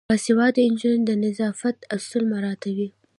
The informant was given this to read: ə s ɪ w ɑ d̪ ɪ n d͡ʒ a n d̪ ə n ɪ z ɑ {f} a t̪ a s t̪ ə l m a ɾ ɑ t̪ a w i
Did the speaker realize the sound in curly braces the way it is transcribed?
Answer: yes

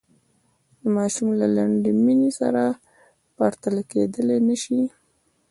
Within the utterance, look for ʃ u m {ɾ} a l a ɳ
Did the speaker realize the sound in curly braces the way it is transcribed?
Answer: no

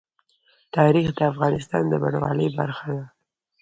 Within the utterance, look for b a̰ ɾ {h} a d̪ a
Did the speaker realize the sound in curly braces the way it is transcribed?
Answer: no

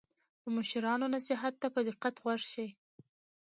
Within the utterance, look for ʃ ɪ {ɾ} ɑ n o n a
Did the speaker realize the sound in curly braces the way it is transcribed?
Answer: yes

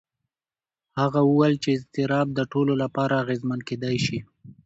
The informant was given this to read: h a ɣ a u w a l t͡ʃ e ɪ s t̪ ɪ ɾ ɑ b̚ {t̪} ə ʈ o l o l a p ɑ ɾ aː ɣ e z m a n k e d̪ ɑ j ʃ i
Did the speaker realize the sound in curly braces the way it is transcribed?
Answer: no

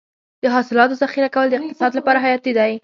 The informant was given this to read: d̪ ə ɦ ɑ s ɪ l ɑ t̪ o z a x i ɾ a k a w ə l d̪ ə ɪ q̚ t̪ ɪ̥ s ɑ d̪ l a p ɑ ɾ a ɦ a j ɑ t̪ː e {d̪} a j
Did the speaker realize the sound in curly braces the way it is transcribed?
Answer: yes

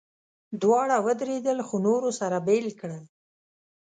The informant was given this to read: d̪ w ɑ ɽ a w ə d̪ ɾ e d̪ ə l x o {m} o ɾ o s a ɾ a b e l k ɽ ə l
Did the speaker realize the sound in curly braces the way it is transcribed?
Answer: no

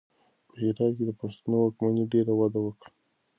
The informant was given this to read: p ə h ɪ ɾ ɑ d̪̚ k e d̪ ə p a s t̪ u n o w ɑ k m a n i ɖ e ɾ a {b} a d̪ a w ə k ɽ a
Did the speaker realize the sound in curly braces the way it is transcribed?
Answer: no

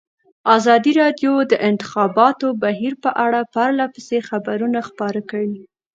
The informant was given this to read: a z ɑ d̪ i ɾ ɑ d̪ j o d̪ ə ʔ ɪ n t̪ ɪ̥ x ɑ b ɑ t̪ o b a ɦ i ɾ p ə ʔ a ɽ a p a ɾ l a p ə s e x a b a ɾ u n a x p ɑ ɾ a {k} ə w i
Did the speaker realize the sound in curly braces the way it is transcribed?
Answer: yes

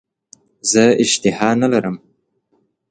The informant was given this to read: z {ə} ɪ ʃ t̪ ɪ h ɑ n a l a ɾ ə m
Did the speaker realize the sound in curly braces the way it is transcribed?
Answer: yes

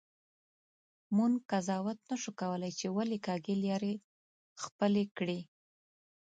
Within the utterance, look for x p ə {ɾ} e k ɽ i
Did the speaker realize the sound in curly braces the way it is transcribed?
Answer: no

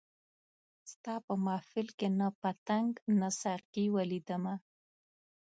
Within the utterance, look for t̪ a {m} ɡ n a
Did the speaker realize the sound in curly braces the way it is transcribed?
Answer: no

